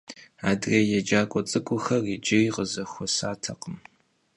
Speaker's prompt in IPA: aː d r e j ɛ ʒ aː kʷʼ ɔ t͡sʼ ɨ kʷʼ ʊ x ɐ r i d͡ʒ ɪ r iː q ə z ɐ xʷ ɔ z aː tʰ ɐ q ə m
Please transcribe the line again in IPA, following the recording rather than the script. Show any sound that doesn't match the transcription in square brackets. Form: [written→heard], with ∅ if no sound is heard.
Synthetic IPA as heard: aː d r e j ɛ [ʒ→d͡ʒ] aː kʷʼ ɔ t͡sʼ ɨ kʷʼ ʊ x ɐ r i d͡ʒ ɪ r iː q ə z ɐ xʷ ɔ [z→s] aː tʰ ɐ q ə m